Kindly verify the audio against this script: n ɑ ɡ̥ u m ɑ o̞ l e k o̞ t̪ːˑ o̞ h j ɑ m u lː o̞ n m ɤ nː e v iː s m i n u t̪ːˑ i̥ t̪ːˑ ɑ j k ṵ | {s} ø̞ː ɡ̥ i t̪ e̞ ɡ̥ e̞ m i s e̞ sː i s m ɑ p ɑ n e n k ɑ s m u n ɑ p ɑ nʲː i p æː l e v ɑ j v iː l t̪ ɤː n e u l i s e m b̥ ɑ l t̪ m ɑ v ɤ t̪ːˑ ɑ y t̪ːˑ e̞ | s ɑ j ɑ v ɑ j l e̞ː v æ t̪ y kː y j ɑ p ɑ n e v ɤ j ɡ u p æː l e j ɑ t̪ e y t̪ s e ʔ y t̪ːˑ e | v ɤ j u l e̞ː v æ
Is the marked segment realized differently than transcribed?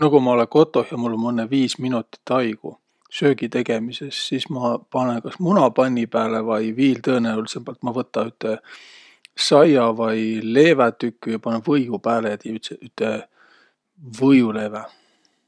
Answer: no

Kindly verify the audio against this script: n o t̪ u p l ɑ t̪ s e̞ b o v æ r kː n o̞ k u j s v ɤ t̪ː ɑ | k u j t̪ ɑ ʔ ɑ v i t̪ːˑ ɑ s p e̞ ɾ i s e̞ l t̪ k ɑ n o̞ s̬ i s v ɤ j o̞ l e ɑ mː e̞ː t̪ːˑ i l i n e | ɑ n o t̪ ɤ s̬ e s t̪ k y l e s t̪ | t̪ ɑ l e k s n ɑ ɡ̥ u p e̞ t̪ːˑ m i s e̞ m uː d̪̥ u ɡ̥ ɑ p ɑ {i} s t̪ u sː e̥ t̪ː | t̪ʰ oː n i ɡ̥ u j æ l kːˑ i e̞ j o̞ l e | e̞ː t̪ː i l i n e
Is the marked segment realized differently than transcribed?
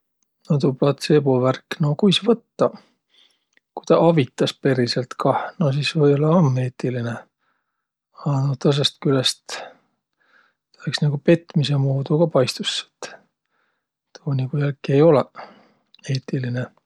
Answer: yes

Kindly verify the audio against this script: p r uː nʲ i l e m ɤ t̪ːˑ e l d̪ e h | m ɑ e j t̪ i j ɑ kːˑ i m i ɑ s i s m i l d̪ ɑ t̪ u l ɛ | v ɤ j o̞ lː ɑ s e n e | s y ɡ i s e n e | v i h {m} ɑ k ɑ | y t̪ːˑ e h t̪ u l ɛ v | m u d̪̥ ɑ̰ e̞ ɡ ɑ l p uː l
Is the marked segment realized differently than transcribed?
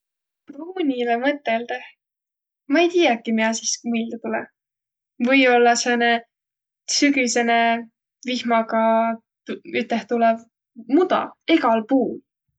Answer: no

